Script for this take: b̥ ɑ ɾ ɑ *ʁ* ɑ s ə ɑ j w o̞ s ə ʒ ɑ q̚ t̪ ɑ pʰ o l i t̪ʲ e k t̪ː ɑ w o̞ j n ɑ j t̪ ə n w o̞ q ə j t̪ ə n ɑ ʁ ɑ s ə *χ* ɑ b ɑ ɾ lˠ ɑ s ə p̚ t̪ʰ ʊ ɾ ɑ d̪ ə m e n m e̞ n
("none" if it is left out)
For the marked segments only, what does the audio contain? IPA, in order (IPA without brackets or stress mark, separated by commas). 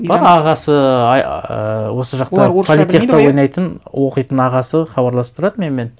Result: ʁ, χ